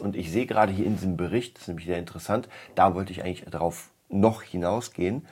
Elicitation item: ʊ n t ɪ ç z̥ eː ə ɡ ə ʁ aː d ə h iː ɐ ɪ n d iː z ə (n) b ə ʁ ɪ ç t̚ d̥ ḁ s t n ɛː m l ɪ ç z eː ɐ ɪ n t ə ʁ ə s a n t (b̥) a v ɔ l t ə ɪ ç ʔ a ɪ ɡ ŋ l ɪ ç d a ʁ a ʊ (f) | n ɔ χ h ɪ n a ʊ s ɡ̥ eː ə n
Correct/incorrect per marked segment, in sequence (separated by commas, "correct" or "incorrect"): incorrect, incorrect, correct